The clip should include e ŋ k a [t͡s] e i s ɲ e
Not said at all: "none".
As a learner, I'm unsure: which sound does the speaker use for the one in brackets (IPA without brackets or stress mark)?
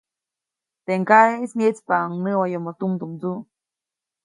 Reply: none